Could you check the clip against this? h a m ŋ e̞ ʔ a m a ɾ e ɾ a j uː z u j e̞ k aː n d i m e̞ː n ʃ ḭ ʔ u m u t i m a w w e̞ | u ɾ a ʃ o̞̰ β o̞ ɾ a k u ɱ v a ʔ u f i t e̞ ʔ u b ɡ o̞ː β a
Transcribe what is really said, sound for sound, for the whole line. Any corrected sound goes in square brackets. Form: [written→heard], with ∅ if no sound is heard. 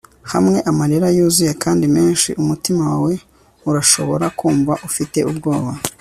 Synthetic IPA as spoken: h a m ŋ e̞ ʔ a m a ɾ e ɾ a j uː z u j e̞ k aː n d i m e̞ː n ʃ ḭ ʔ u m u t i m a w w e̞ | u ɾ a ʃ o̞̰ β o̞ ɾ a k [u→uː] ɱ v a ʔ u f i t e̞ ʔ u b ɡ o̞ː β a